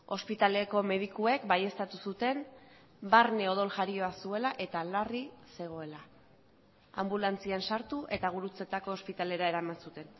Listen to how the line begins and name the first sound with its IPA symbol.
o̞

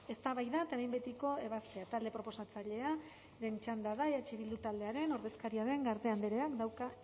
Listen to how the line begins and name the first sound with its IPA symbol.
e̞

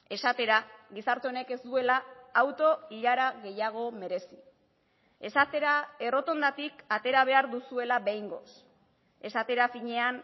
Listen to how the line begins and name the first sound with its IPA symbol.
e̞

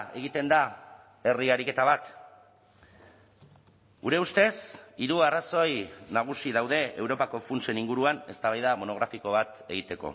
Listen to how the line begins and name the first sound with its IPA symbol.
e̞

